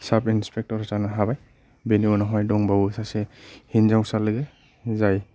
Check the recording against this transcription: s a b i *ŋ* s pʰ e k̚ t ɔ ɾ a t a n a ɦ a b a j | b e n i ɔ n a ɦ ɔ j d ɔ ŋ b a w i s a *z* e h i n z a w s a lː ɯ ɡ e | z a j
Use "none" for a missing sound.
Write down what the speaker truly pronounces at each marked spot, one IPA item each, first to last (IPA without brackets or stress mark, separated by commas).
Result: n, s